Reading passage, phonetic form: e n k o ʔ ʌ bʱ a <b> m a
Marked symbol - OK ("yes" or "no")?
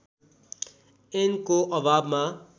yes